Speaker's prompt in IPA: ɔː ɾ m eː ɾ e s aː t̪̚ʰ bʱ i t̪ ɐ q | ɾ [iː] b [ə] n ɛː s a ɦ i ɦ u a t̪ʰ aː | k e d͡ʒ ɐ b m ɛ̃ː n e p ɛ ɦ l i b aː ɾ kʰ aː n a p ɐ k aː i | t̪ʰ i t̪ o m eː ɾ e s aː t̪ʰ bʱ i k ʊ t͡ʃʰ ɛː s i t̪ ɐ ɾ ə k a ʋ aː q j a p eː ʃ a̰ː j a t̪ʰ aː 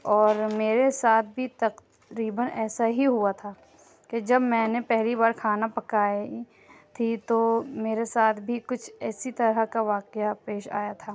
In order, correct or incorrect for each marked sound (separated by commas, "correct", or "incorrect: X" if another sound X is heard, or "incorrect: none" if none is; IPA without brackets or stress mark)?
correct, correct